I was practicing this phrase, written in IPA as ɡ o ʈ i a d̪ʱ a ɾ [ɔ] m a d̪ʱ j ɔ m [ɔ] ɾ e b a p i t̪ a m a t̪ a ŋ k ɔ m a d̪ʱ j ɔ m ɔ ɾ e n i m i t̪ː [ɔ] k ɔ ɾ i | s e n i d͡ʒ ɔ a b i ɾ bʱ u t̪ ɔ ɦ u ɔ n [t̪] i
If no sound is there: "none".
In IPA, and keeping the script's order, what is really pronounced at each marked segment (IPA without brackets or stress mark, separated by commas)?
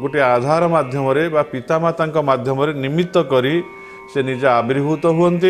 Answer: ɔ, ɔ, ɔ, t̪